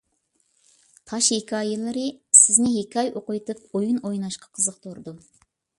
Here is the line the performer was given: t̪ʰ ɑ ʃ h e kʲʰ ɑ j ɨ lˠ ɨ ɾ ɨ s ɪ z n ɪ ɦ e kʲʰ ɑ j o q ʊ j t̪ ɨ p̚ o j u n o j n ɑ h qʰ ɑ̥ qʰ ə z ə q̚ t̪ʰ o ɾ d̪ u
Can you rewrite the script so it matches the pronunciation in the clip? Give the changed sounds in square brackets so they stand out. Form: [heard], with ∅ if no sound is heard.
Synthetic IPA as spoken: t̪ʰ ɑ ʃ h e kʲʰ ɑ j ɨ lˠ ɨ ɾ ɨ s ɪ z n ɪ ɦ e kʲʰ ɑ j o q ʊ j t̪ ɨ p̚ o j u n o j n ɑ [ʃ] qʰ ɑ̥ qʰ ə z ə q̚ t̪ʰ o ɾ d̪ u

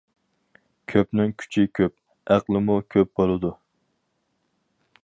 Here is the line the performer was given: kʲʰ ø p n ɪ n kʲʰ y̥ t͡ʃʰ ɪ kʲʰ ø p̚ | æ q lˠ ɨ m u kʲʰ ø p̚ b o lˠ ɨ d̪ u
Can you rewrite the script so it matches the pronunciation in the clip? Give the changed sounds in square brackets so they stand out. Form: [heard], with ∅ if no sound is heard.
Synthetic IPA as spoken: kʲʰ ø p n ɪ [ŋ] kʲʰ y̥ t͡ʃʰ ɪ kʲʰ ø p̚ | æ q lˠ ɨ m u kʲʰ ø p̚ b o lˠ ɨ d̪ u

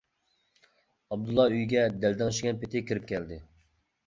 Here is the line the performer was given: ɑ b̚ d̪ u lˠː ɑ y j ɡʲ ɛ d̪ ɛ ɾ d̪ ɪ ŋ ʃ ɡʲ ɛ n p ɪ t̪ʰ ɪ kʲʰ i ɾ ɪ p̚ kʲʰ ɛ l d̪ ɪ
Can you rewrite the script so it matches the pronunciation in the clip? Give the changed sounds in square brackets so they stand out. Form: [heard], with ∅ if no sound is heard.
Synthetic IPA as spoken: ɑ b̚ d̪ u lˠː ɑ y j ɡʲ ɛ d̪ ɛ [l] d̪ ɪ ŋ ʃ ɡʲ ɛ n p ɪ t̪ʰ ɪ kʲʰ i ɾ ɪ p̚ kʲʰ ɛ l d̪ ɪ

